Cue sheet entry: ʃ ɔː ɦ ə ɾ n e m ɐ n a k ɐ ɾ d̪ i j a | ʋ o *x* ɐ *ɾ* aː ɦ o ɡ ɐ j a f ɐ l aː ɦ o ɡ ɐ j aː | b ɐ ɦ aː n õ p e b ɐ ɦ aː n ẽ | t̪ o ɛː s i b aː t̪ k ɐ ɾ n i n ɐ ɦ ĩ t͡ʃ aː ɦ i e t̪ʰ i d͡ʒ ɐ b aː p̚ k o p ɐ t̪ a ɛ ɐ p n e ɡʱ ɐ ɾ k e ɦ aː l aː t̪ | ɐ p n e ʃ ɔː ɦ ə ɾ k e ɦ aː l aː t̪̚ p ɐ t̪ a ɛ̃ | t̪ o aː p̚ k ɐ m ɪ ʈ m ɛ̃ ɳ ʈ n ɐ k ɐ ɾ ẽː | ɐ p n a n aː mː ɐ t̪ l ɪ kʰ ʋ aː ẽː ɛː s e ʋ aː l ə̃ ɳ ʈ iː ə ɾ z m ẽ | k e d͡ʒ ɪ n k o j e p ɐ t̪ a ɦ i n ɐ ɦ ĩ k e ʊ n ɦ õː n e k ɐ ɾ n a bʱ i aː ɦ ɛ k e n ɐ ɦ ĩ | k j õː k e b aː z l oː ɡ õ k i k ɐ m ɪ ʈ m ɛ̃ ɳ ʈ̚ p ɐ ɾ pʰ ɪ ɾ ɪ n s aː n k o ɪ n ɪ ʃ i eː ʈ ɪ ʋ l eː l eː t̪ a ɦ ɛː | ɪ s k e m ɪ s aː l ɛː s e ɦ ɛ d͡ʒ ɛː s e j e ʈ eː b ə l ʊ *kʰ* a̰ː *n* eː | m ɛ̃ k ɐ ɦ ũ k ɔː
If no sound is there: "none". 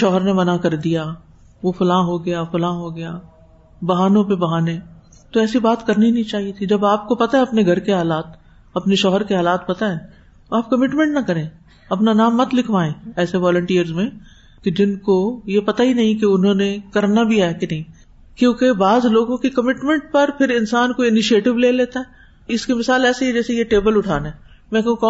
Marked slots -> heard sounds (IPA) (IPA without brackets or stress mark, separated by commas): f, l, ʈʰ, n